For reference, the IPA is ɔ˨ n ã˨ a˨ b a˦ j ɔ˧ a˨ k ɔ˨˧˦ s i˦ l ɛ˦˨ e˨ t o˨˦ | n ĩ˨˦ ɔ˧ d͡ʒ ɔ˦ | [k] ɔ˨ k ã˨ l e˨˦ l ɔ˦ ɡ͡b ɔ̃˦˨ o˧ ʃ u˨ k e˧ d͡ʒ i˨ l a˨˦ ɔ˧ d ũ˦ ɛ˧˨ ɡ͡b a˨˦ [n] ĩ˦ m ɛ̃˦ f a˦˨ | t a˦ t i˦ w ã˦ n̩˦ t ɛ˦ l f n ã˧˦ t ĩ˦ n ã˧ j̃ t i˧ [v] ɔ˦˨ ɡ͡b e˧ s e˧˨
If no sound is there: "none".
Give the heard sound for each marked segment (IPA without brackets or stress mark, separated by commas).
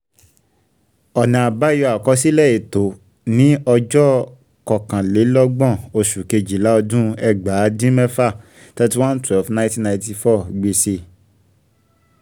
k, d, f